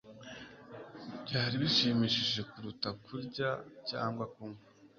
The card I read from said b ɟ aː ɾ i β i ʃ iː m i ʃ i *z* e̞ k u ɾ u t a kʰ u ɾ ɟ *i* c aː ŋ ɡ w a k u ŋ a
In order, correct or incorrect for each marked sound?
incorrect: ʒ, incorrect: a

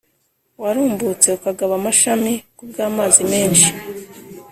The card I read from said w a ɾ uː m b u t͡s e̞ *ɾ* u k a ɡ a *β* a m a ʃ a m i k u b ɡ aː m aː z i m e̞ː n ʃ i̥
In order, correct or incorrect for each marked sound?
incorrect: none, correct

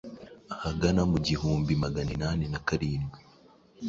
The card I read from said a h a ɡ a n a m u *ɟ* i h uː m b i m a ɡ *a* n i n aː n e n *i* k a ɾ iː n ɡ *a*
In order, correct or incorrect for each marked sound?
correct, correct, incorrect: a, incorrect: i

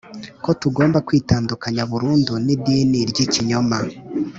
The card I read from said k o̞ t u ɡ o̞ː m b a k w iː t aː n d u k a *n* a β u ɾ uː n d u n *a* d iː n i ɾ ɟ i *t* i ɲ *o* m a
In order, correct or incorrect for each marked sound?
incorrect: ɲ, incorrect: i, incorrect: c, correct

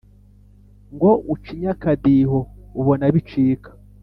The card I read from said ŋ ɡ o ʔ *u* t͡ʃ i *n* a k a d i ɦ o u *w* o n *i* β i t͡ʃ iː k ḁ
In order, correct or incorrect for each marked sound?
correct, incorrect: ɲ, incorrect: β, incorrect: a

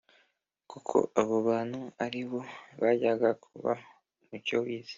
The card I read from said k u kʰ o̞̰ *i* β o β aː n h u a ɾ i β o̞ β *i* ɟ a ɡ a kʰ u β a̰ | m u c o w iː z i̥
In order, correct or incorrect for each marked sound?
incorrect: a, incorrect: a

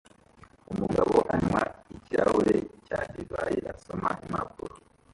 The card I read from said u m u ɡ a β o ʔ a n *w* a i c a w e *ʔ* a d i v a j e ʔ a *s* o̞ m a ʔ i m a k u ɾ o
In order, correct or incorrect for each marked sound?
correct, incorrect: c, correct

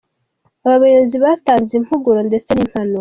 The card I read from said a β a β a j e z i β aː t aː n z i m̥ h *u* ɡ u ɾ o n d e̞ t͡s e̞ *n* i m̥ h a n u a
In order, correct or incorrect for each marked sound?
correct, correct

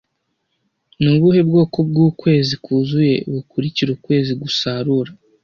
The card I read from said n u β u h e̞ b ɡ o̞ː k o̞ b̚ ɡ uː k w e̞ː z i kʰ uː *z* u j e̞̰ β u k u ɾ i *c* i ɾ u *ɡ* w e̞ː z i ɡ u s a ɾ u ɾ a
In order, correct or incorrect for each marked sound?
correct, correct, incorrect: k

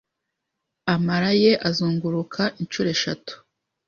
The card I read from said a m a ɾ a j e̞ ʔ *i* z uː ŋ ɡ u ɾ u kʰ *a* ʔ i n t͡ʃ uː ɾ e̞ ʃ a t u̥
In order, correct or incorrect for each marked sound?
incorrect: a, correct

